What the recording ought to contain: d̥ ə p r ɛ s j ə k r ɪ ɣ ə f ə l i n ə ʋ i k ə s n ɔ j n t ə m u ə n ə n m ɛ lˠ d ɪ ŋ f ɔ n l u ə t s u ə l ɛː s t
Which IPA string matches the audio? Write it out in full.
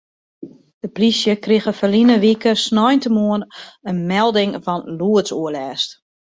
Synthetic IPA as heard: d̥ ə p r i s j ə k r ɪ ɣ ə f ə l i n ə ʋ i k ə s n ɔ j n t ə m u ə n ə n m ɛ lˠ d ɪ ŋ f ɔ n l u ə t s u ə l ɛː s t